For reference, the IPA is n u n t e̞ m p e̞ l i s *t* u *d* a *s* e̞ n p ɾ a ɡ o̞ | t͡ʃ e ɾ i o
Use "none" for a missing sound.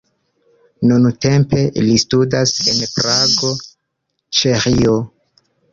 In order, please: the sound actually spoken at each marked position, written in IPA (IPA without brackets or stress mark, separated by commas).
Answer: t, d, s